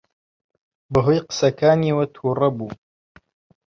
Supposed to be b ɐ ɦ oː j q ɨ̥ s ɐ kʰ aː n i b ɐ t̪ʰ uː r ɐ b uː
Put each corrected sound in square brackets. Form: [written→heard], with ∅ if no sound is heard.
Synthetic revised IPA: b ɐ ɦ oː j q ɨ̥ s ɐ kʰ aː n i [b→w] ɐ t̪ʰ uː r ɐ b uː